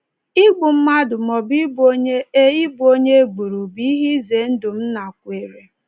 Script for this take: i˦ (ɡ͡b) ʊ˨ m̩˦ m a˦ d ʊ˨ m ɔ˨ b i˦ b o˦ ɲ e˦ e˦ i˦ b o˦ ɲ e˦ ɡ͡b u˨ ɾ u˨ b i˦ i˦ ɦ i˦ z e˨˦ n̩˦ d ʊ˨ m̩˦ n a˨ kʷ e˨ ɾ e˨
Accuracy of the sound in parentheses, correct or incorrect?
correct